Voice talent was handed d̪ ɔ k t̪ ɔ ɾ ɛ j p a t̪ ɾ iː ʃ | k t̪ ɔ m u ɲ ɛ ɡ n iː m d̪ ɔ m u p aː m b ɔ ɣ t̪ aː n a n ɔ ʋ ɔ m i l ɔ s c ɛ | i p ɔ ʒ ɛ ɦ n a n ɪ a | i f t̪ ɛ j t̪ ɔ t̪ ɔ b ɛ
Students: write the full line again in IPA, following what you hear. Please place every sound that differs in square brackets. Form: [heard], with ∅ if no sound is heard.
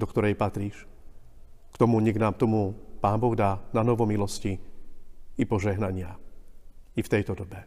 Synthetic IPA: d̪ ɔ k t̪ ɔ ɾ ɛ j p a t̪ ɾ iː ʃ | k t̪ ɔ m u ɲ ɛ ɡ n [aː] m [t̪] ɔ m u p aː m b ɔ ɣ [d̪] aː n a n ɔ ʋ ɔ m i l ɔ s c [i] | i p ɔ ʒ ɛ ɦ n a [ɲ] ɪ a | i f t̪ ɛ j t̪ ɔ [d̪] ɔ b ɛ